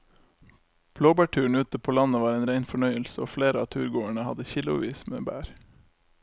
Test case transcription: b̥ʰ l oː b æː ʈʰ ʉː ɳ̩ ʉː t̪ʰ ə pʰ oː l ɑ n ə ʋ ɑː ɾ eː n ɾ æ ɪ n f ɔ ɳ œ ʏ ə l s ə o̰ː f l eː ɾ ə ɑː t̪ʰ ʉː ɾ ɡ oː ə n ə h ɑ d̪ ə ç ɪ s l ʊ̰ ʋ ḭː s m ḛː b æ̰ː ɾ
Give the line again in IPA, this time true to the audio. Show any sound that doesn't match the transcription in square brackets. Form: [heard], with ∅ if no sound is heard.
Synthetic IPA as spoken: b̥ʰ l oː b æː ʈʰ ʉː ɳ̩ ʉː [t̪] ə pʰ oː l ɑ n ə ʋ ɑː ɾ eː n ɾ æ ɪ n f ɔ ɳ œ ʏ ə l s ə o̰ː f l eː ɾ ə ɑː t̪ʰ ʉː ɾ ɡ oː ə [ɳ] ə h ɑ d̪ ə ç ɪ [∅] l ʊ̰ ʋ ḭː s m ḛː b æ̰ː ɾ